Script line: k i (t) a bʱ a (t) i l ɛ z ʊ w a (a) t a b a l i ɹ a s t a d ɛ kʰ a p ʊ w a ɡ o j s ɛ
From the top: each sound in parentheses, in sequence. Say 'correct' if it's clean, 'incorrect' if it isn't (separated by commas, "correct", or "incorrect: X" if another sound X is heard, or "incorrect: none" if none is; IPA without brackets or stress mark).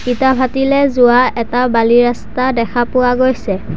correct, correct, incorrect: ɛ